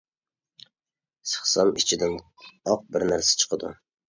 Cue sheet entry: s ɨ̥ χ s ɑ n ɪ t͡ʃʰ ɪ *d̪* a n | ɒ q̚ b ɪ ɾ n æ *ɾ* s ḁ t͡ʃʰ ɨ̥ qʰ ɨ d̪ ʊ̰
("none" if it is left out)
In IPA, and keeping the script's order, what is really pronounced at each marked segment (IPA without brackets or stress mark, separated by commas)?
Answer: d̪, ɾ